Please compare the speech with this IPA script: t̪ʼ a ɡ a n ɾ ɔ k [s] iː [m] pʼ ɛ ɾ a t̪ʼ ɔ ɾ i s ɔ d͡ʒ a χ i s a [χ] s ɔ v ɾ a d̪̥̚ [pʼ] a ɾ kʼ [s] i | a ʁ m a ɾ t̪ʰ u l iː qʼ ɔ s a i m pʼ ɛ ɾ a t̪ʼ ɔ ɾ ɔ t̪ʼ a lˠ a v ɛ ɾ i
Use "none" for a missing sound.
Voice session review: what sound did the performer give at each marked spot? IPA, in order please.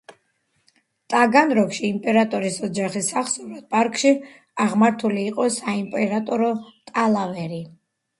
ʃ, m, χ, pʼ, ʃ

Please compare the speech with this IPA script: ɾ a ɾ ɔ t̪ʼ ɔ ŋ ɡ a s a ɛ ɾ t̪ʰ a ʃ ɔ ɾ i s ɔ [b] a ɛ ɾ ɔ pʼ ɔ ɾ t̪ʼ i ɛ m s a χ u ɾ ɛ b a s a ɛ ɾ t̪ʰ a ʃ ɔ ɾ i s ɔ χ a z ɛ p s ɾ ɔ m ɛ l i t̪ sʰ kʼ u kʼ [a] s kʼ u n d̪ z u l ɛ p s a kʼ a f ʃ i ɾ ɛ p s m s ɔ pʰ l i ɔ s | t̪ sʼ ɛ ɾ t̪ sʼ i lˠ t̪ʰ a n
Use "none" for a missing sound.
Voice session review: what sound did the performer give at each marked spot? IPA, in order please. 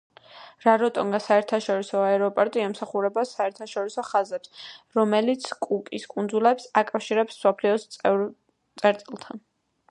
none, i

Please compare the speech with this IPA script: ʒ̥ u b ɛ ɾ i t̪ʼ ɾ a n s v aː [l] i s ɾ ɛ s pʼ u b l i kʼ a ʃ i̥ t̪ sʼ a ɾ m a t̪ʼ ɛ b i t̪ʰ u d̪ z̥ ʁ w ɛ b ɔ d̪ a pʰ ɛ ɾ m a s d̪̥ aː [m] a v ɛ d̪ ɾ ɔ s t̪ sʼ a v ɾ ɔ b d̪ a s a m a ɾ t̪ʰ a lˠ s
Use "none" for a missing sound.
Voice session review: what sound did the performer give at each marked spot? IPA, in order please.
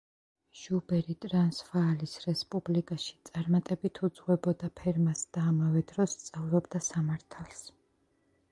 l, m

